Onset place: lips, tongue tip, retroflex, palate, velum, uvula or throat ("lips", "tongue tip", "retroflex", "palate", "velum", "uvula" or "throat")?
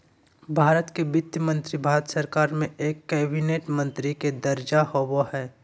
lips